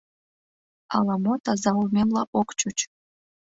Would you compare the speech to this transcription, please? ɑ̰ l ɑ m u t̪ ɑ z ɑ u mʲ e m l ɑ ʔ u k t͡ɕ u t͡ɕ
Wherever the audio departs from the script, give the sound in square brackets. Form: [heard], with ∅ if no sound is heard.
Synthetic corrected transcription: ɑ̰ l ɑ m [o] t̪ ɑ z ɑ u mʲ e m l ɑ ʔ [o] k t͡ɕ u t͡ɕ